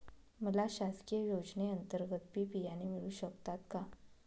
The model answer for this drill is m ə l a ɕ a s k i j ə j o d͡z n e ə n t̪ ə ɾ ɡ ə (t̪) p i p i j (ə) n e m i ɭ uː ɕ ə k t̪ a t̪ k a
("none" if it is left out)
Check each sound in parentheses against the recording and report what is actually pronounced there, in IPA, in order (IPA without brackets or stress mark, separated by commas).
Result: t̪, a